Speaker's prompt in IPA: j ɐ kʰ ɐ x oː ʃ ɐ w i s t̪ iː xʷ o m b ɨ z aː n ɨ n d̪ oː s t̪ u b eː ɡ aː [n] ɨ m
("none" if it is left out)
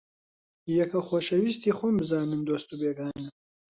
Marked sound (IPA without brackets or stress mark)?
n